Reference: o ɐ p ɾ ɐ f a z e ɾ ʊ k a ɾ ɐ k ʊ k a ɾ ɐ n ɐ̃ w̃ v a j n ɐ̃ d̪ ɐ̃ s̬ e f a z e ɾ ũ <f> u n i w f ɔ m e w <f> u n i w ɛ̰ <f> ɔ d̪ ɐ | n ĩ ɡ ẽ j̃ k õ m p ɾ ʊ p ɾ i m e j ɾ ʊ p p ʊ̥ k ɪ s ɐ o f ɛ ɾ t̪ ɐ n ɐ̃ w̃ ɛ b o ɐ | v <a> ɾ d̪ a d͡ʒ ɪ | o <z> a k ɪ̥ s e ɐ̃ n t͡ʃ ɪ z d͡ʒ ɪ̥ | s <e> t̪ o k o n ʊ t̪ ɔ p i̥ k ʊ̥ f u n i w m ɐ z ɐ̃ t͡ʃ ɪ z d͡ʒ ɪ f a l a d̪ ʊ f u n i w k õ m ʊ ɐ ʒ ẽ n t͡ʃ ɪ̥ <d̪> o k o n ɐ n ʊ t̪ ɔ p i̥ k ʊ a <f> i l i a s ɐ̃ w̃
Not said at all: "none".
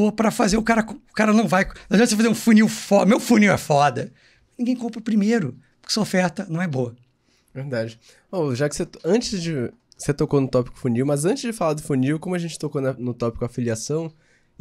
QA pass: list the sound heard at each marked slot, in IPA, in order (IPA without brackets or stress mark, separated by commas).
f, f, f, e, ʒ, e, t̪, f